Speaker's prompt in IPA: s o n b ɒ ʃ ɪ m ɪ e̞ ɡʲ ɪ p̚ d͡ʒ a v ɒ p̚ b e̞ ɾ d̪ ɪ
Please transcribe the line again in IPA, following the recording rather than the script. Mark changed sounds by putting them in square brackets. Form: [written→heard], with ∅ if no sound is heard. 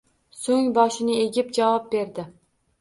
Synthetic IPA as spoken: s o [n→ŋ] b ɒ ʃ ɪ [m→n] ɪ e̞ ɡʲ ɪ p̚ d͡ʒ a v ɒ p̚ b e̞ ɾ d̪ ɪ